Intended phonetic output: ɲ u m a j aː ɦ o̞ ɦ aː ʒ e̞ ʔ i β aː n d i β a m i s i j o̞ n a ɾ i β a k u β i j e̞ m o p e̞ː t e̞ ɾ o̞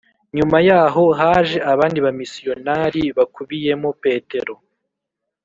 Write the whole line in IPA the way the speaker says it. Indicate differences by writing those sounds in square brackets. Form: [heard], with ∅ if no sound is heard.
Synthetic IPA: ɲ u m a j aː ɦ o̞ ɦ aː ʒ e̞ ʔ [a] β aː n d i β a m i s i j o̞ n a ɾ i β a k u β i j e̞ m o p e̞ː t e̞ ɾ o̞